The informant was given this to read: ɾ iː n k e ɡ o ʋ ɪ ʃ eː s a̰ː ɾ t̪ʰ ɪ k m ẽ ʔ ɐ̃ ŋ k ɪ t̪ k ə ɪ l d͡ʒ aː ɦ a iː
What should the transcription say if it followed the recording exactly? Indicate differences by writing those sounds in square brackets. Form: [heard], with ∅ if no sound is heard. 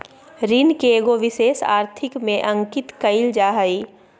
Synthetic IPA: ɾ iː n k e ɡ o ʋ ɪ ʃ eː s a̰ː ɾ t̪ʰ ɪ k m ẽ ʔ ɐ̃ ŋ k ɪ t̪ k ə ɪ l d͡ʒ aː ɦ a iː